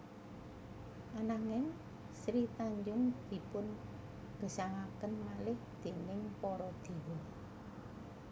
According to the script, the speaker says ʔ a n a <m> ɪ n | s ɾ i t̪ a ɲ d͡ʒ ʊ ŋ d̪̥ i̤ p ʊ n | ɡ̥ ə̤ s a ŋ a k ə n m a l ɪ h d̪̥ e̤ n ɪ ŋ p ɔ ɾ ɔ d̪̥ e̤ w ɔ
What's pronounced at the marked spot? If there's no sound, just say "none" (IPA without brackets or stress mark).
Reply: ŋ